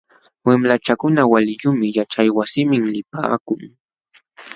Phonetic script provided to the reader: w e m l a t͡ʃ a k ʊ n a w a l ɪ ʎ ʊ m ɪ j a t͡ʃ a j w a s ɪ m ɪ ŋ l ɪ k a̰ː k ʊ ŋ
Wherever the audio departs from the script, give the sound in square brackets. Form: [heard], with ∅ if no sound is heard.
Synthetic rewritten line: w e m l a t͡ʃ a k ʊ n a w a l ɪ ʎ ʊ m ɪ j a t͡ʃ a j w a s ɪ m ɪ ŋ l ɪ [p] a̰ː k ʊ ŋ